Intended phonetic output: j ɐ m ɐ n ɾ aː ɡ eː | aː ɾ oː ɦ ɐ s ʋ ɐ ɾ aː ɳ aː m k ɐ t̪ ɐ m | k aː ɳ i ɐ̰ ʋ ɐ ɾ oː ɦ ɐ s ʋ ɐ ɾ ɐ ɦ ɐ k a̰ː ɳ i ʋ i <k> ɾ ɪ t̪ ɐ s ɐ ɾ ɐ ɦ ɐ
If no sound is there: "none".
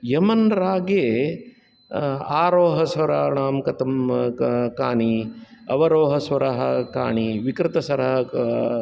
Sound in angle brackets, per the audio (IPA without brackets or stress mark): k